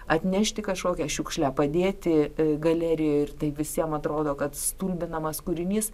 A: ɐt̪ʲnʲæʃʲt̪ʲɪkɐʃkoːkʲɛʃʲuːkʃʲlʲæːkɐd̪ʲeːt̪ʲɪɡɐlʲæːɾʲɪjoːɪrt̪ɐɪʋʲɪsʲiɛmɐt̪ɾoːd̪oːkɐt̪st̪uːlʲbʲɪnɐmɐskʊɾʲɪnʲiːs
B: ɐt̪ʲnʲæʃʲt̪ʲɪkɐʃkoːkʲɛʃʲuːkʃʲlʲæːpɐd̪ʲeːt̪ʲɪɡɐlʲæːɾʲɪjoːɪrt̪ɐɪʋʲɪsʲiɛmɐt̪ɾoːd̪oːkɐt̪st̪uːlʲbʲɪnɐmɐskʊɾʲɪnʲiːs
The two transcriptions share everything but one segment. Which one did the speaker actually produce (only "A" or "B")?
B